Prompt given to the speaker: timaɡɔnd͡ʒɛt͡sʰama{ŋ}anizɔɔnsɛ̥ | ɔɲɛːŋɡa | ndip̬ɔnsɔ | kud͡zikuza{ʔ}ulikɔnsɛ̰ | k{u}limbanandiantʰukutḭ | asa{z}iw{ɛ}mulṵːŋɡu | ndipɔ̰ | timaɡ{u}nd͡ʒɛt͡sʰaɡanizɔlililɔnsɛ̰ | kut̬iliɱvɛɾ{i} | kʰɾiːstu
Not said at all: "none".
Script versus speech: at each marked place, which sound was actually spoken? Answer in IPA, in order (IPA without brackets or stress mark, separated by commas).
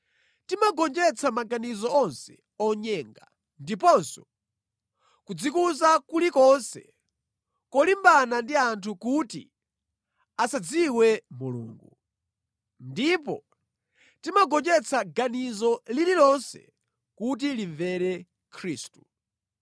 ɡ, k, ɔ, d͡z, ɛ, ɔ, ɛ